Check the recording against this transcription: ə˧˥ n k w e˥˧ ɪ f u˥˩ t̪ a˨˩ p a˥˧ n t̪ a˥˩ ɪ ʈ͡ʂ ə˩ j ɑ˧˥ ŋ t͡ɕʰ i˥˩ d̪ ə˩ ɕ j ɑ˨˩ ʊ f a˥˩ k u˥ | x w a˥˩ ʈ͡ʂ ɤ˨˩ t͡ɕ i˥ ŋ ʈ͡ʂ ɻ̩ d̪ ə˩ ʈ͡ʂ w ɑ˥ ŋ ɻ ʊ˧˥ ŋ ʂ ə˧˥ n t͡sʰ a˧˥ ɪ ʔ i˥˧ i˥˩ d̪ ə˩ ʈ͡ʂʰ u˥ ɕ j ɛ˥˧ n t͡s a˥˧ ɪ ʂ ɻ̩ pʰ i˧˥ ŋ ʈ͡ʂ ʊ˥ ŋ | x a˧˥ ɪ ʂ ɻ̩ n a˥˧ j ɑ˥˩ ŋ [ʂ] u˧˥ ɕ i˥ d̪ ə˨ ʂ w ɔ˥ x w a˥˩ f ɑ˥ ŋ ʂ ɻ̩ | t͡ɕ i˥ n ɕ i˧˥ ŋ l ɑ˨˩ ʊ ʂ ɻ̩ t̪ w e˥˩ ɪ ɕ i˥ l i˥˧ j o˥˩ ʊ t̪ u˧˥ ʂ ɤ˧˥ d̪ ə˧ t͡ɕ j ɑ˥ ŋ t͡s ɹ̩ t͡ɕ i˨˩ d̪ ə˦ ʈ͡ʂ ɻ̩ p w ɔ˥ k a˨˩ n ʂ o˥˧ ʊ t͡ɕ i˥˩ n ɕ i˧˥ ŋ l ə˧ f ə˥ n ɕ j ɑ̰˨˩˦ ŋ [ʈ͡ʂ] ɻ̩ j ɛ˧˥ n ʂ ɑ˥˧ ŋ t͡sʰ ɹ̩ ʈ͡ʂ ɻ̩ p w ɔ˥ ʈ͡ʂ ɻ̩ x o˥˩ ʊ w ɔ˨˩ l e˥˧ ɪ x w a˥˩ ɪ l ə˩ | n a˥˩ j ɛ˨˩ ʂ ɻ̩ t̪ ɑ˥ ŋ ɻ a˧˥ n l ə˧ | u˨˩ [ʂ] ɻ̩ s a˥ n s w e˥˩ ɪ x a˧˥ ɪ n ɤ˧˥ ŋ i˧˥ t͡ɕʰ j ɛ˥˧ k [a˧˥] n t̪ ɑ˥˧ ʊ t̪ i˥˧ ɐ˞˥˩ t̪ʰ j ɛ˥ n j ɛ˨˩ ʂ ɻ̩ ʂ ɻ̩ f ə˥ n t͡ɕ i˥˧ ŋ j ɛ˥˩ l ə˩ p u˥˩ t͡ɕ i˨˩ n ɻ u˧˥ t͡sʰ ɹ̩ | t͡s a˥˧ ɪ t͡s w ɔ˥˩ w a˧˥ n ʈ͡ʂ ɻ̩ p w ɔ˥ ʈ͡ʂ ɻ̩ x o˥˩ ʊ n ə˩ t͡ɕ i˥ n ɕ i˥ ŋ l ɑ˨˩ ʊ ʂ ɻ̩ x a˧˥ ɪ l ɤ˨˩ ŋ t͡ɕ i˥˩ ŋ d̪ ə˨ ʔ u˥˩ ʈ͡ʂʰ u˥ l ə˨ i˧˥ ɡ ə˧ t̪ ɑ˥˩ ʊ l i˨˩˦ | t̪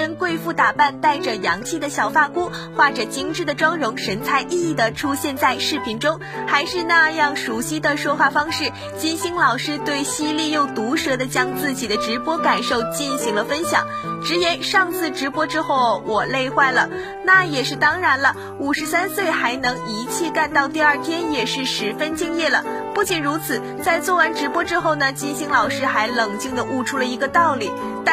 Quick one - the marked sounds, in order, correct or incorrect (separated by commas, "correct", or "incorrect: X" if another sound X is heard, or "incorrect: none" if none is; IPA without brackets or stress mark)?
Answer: correct, correct, correct, incorrect: a˥˧